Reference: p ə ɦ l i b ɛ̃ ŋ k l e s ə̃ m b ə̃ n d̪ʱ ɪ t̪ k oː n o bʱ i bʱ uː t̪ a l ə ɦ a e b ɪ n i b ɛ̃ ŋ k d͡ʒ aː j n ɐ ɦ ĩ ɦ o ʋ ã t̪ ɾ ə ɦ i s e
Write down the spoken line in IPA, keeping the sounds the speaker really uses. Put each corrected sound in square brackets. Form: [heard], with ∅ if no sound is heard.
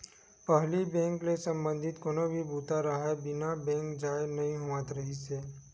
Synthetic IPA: p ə ɦ l i b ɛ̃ ŋ k l e s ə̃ m b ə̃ n d̪ʱ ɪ t̪ k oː n o bʱ i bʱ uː t̪ a [ɾ] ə ɦ a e b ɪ n [a] b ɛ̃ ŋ k d͡ʒ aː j n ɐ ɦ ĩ ɦ o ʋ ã t̪ ɾ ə ɦ i s e